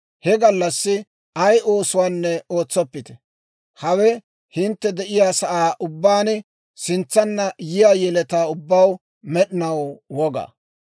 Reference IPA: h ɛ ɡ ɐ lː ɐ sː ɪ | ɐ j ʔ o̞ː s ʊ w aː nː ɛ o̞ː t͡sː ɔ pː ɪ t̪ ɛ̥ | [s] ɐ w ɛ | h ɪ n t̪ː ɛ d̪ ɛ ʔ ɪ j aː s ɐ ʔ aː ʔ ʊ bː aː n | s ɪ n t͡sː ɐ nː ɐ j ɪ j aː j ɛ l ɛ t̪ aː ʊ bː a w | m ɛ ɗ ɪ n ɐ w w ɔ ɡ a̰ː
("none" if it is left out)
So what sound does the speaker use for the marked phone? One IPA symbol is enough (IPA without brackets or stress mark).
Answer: h